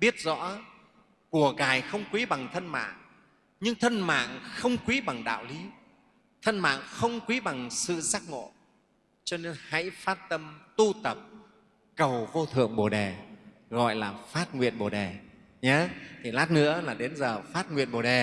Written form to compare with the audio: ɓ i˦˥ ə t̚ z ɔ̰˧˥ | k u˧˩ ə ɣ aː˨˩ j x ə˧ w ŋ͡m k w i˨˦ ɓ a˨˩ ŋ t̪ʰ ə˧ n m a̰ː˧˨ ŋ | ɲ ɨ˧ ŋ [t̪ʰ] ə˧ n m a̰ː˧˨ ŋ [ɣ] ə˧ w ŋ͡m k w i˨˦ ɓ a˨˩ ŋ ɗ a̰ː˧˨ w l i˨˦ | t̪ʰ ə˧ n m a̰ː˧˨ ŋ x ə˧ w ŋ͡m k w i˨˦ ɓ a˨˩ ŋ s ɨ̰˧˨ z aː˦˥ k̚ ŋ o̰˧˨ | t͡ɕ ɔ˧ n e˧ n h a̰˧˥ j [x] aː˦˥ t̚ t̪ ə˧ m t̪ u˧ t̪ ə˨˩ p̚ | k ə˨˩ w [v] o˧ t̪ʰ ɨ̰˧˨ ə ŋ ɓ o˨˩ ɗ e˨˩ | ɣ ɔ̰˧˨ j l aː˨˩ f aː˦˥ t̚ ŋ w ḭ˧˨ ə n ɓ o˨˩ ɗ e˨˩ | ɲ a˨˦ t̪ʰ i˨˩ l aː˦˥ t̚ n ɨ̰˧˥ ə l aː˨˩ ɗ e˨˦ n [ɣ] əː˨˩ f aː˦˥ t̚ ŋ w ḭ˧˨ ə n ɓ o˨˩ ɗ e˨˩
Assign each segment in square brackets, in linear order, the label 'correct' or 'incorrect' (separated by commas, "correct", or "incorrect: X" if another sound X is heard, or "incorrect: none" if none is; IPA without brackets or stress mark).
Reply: correct, incorrect: x, incorrect: f, correct, incorrect: z